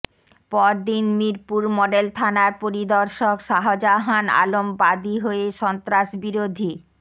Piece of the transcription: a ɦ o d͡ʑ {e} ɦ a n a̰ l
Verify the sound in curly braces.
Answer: incorrect: a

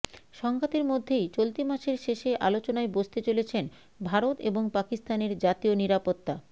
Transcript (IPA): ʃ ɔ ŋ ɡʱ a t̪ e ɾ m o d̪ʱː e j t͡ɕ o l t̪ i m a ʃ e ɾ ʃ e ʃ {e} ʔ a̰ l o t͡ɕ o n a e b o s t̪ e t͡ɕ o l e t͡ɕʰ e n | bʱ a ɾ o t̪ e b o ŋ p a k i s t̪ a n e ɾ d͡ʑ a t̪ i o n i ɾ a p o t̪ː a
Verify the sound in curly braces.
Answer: correct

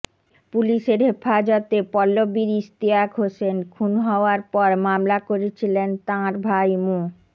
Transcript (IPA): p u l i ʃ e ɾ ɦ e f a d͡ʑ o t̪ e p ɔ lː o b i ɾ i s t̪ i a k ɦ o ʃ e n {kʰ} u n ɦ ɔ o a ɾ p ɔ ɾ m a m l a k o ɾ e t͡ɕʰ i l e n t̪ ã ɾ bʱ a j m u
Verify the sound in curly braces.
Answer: correct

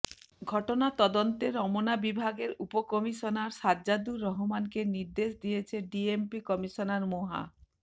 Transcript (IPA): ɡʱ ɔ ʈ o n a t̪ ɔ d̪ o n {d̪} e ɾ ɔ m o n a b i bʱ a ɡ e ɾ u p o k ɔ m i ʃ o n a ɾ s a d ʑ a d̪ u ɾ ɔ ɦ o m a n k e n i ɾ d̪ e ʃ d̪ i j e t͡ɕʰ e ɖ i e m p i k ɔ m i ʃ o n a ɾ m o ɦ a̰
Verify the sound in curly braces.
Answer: incorrect: t̪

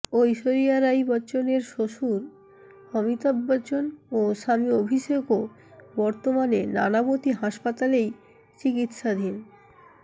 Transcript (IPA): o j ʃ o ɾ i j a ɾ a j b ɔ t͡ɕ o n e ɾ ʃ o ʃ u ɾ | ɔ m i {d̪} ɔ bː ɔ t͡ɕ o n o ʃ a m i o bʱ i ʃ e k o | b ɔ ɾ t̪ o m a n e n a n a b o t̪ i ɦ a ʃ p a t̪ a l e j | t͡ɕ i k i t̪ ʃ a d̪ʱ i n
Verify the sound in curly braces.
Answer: incorrect: t̪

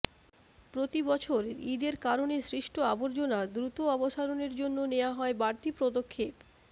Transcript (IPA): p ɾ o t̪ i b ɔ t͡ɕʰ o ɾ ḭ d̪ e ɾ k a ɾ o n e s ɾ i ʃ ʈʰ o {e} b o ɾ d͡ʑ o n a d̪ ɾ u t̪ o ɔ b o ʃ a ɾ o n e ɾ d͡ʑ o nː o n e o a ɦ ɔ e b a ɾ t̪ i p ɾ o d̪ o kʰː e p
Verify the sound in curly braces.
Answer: incorrect: a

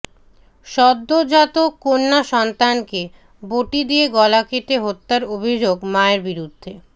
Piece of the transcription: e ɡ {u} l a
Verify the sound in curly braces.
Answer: incorrect: ɔ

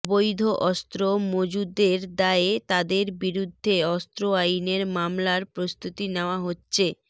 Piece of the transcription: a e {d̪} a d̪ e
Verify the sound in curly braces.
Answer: incorrect: t̪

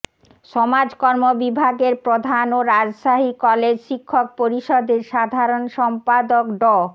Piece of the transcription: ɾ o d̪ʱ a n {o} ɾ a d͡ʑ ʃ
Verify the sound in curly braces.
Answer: correct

